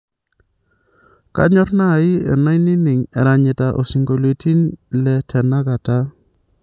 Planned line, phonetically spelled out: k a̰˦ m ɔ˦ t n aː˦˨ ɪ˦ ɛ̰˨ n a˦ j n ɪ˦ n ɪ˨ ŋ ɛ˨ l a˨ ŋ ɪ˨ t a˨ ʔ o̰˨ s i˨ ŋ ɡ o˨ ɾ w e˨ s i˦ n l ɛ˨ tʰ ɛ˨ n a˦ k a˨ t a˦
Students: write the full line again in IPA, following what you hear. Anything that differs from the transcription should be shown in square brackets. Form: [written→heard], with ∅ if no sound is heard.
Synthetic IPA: k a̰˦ [m→ɲ] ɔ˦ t n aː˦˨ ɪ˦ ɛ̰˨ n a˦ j n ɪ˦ n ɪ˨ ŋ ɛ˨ [l→ɾ] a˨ [ŋ→ɲ] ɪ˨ t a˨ ʔ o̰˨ s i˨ ŋ ɡ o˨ [ɾ→l] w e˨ [s→t] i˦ n l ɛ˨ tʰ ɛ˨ n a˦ k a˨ t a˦